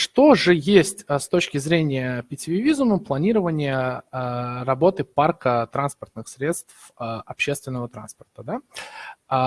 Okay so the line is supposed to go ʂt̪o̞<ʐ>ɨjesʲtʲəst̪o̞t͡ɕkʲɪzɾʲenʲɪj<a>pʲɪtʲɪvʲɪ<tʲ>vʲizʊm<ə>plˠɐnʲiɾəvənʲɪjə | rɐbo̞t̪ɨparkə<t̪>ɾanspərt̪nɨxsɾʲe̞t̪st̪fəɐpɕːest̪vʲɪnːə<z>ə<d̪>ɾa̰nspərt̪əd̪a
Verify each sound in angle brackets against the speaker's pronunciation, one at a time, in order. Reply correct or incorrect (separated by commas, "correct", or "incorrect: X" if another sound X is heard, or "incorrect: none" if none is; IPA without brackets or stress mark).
correct, incorrect: ə, incorrect: none, correct, correct, incorrect: v, incorrect: t̪